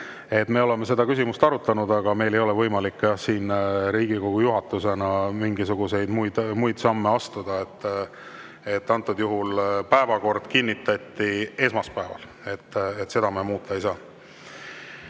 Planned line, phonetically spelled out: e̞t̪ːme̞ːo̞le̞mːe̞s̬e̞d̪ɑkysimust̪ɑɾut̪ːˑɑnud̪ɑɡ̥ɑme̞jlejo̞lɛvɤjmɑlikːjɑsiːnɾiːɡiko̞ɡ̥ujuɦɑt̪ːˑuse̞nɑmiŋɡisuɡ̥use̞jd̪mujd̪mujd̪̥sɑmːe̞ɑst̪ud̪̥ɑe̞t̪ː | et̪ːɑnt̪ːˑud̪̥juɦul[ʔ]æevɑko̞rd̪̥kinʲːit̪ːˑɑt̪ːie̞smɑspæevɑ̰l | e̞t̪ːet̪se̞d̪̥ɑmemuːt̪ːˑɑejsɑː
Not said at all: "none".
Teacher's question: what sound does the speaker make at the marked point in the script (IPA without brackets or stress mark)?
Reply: p